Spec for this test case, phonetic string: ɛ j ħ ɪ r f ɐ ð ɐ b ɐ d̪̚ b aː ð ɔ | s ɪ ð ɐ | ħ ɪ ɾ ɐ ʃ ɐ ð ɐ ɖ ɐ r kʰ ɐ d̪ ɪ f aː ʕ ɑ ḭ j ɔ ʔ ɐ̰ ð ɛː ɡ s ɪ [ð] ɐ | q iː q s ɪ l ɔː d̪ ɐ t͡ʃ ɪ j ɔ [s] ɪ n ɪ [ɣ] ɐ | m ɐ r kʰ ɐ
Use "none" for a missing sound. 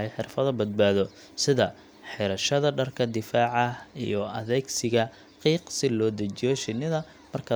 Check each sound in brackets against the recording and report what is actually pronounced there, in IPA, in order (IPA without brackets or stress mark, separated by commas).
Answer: ɣ, ʃ, ð